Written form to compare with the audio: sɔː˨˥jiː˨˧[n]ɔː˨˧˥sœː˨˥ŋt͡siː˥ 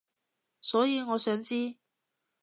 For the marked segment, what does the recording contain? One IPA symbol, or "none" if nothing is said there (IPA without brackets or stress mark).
ŋ